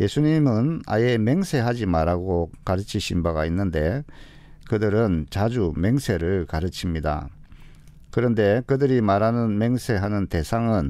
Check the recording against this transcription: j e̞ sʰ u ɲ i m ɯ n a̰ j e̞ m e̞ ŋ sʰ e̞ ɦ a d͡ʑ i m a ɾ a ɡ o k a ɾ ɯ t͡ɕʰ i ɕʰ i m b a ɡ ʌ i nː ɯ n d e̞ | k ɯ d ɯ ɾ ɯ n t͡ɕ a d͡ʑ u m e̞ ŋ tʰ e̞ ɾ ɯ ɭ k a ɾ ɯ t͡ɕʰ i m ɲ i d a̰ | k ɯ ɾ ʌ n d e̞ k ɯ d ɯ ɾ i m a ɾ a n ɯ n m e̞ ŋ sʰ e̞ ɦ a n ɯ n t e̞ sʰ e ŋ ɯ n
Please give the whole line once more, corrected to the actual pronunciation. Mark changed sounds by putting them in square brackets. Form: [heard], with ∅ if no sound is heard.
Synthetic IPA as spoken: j e̞ sʰ u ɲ i m ɯ n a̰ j e̞ m e̞ ŋ sʰ e̞ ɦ a d͡ʑ i m a ɾ a ɡ o k a ɾ ɯ t͡ɕʰ i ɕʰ i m b a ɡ [a] i nː ɯ n d e̞ | k ɯ d ɯ ɾ ɯ n t͡ɕ a d͡ʑ u m e̞ ŋ [sʰ] e̞ ɾ ɯ ɭ k a ɾ ɯ t͡ɕʰ i m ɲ i d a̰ | k ɯ ɾ ʌ n d e̞ k ɯ d ɯ ɾ i m a ɾ a n ɯ n m e̞ ŋ sʰ e̞ ɦ a n ɯ n t e̞ sʰ [a] ŋ ɯ n